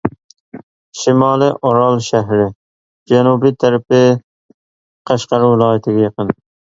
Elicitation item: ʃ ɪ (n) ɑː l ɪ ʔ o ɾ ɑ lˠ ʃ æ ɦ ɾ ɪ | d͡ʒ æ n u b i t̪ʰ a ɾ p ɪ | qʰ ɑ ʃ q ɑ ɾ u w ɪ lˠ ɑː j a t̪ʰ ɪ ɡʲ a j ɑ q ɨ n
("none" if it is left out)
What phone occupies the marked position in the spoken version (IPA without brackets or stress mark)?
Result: m